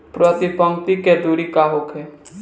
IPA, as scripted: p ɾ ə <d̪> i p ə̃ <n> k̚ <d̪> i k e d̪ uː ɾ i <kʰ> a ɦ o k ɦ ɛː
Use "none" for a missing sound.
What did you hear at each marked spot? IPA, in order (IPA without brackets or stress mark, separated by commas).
t̪, ŋ, t̪, k